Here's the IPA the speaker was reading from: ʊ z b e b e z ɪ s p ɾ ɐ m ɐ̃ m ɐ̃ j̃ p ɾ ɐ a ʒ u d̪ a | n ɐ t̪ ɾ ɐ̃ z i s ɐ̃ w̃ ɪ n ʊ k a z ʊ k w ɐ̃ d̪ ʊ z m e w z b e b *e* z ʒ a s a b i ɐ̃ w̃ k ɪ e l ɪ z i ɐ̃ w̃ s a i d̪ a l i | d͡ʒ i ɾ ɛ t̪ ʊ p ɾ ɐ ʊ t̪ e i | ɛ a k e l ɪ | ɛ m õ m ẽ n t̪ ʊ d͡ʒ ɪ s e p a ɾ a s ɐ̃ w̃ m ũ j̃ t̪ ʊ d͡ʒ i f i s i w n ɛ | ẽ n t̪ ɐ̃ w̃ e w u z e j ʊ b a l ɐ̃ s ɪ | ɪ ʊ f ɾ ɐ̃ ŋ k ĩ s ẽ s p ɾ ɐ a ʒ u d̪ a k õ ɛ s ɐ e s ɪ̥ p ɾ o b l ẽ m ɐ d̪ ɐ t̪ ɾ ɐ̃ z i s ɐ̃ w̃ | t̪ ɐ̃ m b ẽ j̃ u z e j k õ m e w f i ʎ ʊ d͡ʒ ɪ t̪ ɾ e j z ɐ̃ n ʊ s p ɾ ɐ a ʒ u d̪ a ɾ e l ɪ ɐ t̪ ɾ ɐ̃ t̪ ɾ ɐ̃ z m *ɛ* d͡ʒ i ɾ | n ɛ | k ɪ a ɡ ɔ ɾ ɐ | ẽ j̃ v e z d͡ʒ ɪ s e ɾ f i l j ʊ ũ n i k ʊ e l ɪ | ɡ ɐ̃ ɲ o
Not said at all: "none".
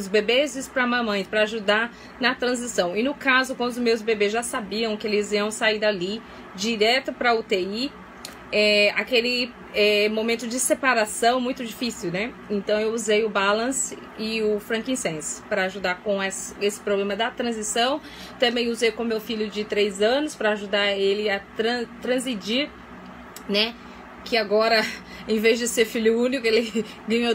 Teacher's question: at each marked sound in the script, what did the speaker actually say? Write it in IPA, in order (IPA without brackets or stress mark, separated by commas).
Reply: e, i